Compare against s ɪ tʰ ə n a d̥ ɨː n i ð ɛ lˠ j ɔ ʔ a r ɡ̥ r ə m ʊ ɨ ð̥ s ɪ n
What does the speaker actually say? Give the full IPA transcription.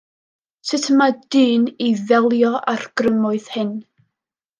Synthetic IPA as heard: s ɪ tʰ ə m a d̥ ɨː n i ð ɛ lˠ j ɔ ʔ a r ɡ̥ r ə m ʊ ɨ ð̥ h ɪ n